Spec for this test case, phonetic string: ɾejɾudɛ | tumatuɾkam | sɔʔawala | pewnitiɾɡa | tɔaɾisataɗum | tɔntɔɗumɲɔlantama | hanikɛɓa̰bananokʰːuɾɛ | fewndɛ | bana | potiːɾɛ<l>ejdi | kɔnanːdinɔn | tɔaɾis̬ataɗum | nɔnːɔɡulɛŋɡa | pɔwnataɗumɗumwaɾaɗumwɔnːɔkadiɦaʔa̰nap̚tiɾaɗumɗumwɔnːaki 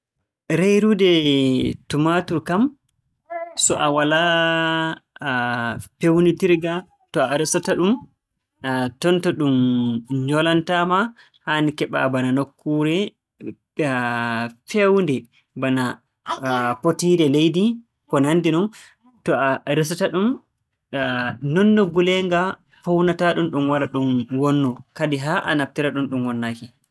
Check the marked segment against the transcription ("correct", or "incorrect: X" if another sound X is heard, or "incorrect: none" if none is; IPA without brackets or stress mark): correct